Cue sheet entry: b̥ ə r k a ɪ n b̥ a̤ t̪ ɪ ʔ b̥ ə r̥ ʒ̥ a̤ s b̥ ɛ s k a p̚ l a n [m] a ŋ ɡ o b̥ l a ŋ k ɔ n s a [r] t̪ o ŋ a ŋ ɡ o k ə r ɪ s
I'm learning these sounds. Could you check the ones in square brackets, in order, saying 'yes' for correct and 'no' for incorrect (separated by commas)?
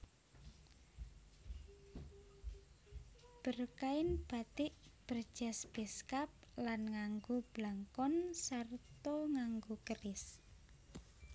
no, yes